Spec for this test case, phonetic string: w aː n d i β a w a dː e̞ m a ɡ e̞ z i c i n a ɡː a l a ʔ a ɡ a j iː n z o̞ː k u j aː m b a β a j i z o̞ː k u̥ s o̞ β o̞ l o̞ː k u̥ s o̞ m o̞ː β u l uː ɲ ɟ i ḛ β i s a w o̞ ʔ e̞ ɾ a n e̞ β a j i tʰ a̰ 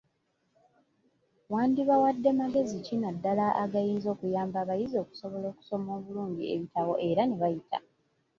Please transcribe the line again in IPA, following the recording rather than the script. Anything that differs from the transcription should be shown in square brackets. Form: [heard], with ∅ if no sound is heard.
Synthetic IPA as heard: w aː n d i β a w a dː e̞ m a ɡ e̞ z i c i n a [dː] a l a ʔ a ɡ a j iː n z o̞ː k u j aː m b a β a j i z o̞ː k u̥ s o̞ β o̞ l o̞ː k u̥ s o̞ m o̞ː β u l uː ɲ ɟ i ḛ β i [t] a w o̞ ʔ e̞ ɾ a n e̞ β a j i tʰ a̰